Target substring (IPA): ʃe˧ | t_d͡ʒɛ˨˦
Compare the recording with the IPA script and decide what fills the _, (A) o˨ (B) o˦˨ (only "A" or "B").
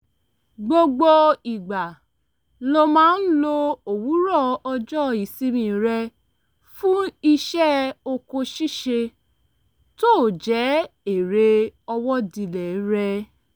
B